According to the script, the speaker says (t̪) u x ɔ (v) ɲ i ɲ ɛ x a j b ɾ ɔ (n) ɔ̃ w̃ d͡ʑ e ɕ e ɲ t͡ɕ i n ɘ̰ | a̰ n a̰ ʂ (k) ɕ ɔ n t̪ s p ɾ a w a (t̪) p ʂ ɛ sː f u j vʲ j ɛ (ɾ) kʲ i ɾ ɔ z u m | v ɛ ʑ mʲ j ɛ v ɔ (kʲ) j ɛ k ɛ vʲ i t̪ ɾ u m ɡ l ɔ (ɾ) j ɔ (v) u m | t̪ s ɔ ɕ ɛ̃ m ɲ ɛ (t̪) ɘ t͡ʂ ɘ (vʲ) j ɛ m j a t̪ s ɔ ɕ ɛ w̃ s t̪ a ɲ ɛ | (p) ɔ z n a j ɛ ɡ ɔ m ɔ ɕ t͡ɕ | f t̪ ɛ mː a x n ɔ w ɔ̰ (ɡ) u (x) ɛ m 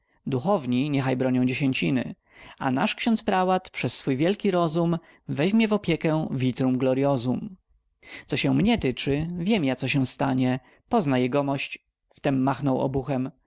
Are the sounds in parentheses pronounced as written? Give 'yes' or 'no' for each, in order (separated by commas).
no, yes, no, yes, yes, no, no, yes, no, yes, yes, yes, no, yes